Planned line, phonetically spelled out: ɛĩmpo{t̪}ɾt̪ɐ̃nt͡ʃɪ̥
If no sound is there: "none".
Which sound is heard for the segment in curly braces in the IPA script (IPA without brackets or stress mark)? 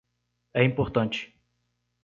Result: none